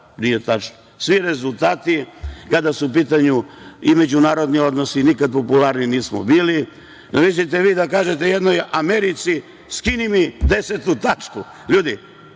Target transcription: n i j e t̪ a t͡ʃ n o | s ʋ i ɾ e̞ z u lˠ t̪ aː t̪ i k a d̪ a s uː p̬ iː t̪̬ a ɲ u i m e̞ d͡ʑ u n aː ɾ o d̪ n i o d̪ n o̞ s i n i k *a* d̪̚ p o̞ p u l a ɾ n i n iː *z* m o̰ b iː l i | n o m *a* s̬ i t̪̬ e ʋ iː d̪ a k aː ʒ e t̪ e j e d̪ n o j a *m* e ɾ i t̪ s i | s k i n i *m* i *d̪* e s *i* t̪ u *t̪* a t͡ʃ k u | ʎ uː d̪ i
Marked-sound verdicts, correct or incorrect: correct, incorrect: s, incorrect: i, correct, correct, correct, incorrect: e, correct

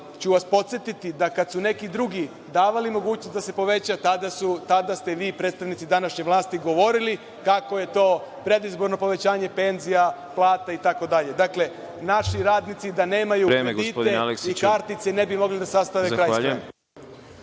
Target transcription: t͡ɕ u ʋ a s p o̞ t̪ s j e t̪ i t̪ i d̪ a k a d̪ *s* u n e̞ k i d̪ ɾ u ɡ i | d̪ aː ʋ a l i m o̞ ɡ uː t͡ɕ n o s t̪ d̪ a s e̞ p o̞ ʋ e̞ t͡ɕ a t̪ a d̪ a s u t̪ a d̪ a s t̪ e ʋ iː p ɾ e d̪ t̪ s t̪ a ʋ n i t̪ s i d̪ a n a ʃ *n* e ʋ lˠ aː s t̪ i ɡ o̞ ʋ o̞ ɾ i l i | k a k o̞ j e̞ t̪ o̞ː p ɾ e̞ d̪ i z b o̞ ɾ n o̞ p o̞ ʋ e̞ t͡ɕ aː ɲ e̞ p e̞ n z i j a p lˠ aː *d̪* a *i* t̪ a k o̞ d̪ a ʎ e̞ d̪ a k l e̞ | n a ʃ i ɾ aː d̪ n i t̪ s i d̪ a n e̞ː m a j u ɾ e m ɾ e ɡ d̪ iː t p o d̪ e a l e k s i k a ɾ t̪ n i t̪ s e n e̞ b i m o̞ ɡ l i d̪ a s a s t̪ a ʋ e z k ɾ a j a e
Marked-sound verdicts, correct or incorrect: correct, incorrect: ɲ, incorrect: t̪, correct

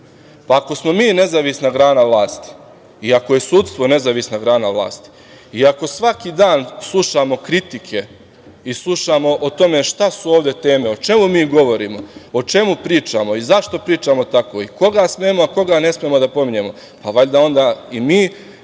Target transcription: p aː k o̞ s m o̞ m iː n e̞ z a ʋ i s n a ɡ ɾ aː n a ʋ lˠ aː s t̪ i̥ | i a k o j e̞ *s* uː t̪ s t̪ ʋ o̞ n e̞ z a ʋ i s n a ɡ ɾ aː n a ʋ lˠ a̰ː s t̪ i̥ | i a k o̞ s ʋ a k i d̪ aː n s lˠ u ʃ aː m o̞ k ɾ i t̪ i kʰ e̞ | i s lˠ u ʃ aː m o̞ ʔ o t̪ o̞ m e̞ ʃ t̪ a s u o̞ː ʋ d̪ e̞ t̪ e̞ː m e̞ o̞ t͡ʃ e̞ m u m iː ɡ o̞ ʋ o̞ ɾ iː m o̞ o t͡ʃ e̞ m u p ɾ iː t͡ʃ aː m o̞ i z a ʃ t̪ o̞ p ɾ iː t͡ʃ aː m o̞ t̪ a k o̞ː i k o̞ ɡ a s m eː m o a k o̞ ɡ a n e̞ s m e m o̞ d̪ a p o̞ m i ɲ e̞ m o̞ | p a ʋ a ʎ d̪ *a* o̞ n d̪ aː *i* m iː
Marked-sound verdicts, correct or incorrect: correct, correct, correct

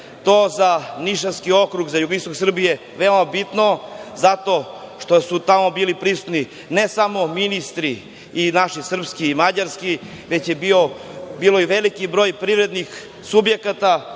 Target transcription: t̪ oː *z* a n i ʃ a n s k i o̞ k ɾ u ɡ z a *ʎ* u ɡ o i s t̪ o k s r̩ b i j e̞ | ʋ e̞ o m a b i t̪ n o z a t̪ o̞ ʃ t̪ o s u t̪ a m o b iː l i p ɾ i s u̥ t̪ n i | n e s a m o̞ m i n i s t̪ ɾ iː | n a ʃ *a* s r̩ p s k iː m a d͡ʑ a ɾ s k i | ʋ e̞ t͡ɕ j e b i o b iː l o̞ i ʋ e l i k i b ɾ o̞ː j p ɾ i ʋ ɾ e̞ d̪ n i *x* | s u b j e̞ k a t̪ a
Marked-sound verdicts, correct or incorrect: correct, incorrect: j, incorrect: i, correct

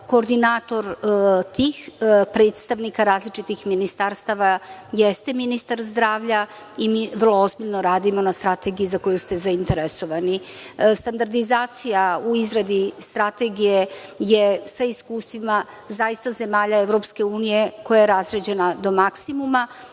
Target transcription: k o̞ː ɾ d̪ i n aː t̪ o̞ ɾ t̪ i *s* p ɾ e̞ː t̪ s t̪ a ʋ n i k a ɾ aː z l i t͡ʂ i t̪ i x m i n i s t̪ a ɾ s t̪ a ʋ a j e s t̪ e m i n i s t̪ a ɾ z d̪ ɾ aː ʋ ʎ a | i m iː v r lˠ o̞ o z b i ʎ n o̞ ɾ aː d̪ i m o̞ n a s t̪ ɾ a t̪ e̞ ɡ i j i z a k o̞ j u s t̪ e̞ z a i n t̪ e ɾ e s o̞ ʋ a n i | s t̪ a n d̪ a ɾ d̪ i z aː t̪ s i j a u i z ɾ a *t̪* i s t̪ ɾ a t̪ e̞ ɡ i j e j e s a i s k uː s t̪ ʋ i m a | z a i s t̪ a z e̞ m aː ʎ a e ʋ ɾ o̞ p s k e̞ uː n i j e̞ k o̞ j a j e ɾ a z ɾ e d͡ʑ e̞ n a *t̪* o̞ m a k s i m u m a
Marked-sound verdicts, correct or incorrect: incorrect: x, incorrect: d̪, incorrect: d̪

